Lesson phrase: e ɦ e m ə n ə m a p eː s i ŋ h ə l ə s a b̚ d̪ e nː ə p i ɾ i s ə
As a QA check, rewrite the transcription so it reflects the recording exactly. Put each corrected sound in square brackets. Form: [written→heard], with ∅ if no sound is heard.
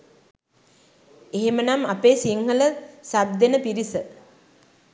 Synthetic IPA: e ɦ e m ə n [ə→a] m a p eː s i ŋ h ə l ə s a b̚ d̪ e [nː→n] ə p i ɾ i s ə